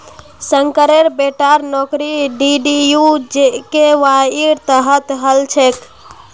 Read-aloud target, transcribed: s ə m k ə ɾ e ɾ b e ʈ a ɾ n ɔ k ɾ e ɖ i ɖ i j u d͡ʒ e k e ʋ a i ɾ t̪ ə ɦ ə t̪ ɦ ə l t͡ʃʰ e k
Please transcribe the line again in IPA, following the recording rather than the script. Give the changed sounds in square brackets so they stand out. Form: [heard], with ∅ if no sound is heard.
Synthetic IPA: s ə [ŋ] k ə ɾ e ɾ b e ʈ a ɾ n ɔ k ɾ [i] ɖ i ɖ i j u d͡ʒ e k e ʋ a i ɾ t̪ ə ɦ ə t̪ ɦ ə l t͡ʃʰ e k